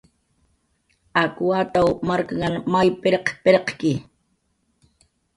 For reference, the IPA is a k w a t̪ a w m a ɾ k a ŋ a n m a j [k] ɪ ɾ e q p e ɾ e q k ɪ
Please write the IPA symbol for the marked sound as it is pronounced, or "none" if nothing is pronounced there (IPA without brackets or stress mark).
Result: p